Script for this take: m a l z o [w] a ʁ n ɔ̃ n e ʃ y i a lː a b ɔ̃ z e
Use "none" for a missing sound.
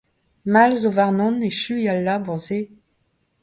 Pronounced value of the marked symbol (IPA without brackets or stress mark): v